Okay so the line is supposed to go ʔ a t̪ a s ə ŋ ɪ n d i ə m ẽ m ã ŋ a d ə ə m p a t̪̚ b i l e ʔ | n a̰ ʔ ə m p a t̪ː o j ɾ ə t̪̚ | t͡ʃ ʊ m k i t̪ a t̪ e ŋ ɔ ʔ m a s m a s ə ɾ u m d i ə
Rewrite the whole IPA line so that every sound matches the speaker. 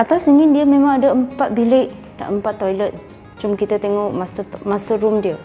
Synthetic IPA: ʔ a t̪ a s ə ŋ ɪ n d i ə m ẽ m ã ŋ a d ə ə m p a t̪̚ b i l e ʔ | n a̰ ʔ ə m p a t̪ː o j l ə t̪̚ | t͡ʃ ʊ m k i t̪ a t̪ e ŋ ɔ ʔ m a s m a s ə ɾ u m d i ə